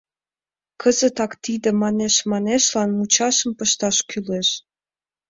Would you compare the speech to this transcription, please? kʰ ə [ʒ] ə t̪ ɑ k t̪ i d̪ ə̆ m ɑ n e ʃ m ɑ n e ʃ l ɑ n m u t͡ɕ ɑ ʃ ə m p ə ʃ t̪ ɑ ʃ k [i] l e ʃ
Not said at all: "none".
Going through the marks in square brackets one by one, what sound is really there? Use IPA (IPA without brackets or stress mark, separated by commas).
z, y